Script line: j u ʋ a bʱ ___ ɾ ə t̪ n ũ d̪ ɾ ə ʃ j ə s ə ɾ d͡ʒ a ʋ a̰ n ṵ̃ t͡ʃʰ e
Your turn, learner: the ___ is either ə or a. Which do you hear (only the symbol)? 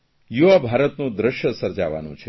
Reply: a